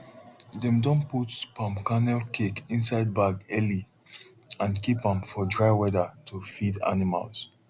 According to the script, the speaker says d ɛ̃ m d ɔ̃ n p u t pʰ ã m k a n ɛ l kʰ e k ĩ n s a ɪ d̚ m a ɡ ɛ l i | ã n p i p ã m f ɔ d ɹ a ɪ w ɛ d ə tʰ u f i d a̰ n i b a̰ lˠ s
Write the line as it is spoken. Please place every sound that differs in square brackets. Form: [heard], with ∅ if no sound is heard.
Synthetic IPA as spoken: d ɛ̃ m d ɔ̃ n p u t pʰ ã m k a n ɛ l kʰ e k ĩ n s a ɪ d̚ [b] a ɡ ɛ l i | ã n [k] i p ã m f ɔ d ɹ a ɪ w ɛ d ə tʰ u f i d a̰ n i [m] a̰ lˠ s